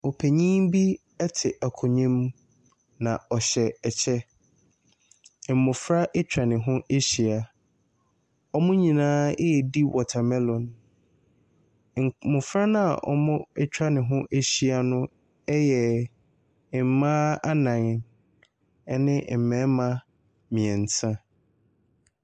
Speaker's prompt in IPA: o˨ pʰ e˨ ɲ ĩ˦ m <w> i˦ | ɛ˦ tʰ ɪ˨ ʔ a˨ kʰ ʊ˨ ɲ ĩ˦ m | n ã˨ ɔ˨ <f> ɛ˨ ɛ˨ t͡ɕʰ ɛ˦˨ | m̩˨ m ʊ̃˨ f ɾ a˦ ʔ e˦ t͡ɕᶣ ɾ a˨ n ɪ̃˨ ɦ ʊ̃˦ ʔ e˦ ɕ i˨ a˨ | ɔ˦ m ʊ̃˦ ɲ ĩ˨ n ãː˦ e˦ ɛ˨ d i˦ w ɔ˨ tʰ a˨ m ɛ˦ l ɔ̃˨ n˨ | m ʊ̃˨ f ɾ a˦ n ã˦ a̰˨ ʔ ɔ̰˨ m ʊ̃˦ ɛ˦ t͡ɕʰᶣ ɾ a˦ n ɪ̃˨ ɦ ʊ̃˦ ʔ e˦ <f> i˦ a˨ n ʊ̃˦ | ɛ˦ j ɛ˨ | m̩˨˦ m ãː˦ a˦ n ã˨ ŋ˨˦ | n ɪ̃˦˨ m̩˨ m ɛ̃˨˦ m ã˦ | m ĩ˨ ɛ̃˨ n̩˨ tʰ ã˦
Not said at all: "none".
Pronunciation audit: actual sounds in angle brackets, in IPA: b, ɕ, ɕ

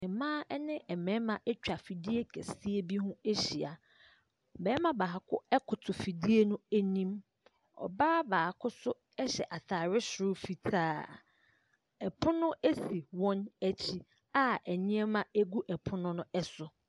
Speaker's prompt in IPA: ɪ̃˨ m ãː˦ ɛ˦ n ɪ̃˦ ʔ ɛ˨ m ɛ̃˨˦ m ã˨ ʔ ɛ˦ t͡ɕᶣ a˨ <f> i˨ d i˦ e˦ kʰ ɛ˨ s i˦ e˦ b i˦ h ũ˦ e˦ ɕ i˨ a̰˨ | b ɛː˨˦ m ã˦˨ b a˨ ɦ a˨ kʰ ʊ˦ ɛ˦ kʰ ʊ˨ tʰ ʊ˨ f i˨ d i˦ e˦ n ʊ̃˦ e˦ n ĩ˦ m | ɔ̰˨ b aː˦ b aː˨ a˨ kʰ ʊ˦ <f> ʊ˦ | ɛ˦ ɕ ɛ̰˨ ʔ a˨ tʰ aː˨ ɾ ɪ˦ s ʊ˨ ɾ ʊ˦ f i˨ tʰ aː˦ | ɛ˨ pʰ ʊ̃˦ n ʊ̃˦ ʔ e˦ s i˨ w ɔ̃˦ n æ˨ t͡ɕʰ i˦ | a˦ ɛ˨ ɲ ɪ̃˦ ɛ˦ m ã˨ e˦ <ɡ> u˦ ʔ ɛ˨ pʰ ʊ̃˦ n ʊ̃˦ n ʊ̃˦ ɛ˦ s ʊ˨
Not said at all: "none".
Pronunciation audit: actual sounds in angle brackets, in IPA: f, s, ɡ

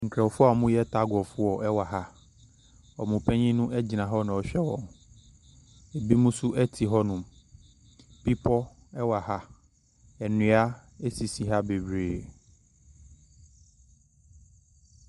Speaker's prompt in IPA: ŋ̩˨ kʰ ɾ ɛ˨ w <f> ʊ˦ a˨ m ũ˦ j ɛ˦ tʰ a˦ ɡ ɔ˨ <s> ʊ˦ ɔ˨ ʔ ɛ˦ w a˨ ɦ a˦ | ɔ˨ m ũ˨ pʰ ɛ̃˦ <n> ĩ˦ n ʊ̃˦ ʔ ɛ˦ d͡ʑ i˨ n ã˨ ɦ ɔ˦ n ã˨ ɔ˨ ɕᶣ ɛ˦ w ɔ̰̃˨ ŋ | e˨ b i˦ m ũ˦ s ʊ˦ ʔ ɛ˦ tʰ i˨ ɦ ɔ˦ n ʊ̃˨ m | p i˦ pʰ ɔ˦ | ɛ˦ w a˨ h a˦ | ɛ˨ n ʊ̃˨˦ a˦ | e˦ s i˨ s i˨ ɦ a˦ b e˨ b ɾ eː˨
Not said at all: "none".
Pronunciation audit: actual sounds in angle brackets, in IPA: f, f, ɲ

